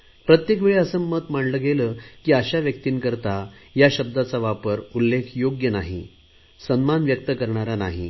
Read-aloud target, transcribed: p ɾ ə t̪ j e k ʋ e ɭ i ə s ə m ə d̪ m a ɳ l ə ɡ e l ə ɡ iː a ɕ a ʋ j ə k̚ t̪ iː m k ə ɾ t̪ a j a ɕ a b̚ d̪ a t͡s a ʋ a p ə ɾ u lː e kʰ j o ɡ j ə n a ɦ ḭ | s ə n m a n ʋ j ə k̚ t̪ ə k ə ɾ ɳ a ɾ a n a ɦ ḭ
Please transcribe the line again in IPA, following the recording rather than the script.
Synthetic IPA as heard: p ɾ ə t̪ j e k ʋ e ɭ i ə s ə m ə t̪ m a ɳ l ə ɡ e l ə k iː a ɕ a ʋ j ə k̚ t̪ iː n k ə ɾ t̪ a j a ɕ ə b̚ d̪ a t͡s a ʋ a p ə ɾ u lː e kʰ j o ɡ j ə n a ɦ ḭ | s ə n m a n ʋ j ə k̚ t̪ ə k ə ɾ ɳ a ɾ a n a ɦ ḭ